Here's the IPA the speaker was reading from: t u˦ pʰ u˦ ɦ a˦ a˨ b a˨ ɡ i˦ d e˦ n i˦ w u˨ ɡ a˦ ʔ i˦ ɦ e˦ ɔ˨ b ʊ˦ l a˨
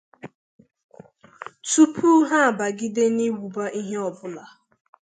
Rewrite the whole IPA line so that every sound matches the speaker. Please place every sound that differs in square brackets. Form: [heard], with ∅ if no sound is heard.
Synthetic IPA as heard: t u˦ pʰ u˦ ɦ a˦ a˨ b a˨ ɡ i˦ d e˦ n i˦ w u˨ [b] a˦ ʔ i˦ ɦ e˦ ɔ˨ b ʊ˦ l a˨

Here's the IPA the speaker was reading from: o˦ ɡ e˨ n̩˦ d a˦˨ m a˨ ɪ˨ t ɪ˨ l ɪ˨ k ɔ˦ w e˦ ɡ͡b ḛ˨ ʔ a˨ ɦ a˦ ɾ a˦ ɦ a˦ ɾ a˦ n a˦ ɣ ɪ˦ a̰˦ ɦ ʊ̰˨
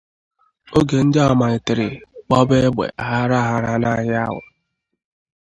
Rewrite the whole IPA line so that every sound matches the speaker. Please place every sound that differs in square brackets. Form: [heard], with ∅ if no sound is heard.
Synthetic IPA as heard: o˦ ɡ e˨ n̩˦ d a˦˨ m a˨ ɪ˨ t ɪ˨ [ɾ] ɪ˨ [k͡p] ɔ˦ [b] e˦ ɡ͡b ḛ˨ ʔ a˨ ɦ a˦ ɾ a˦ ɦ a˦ ɾ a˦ n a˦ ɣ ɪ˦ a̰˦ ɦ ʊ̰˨

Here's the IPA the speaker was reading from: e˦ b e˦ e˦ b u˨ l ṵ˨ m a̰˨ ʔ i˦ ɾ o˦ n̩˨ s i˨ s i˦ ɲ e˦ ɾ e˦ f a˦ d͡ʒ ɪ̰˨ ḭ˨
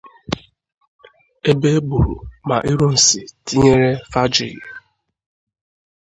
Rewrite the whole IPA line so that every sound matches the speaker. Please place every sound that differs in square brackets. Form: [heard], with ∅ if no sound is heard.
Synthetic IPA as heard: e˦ b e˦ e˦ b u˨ [ɾ] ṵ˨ m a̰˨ ʔ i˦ ɾ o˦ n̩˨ s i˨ [t] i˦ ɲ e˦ ɾ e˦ f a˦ d͡ʒ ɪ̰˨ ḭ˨

